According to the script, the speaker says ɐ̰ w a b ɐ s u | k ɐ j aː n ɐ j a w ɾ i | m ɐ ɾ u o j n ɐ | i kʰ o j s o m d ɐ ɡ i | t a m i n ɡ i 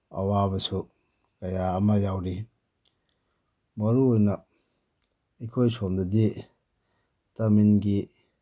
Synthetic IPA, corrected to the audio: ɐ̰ w a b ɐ s u | k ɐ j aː m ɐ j a w ɾ i | m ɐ ɾ u o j n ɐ | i kʰ o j s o m d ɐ d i | t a m i n ɡ i